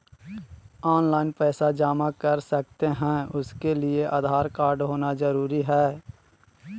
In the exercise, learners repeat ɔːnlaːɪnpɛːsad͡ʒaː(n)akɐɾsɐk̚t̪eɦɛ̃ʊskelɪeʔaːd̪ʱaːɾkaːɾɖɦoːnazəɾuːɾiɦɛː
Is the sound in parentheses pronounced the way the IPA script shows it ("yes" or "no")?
no